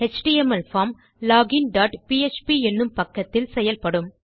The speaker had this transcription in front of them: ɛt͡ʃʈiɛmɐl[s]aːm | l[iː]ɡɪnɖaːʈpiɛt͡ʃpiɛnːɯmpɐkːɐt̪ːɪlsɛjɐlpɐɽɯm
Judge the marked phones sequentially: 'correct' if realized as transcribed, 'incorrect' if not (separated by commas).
incorrect, incorrect